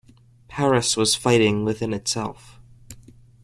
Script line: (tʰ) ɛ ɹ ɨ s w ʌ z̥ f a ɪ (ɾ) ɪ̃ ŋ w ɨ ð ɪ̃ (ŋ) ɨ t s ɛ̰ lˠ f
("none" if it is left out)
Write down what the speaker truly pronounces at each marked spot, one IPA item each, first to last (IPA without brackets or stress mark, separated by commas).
pʰ, ɾ, n